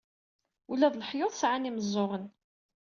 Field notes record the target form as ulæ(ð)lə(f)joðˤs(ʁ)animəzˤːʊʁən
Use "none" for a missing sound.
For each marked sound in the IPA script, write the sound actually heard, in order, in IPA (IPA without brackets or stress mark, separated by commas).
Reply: ð, ħ, ʕ